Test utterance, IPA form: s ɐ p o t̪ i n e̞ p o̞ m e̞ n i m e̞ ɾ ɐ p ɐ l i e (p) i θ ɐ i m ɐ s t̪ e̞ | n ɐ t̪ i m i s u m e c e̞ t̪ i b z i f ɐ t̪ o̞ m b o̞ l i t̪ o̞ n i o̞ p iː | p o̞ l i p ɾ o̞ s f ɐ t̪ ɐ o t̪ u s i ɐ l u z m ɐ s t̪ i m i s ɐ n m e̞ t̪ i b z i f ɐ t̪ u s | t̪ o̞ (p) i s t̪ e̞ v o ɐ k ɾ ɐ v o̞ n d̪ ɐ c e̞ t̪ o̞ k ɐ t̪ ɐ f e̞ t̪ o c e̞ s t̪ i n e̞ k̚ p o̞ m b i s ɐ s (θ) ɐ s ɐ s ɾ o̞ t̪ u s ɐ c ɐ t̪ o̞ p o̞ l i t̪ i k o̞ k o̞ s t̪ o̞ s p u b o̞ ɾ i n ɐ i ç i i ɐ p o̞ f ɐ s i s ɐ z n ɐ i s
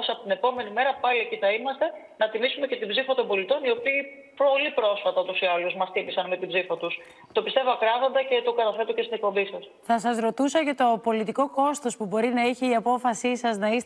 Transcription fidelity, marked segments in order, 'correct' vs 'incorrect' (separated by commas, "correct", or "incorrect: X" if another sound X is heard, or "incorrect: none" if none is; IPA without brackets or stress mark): incorrect: c, correct, correct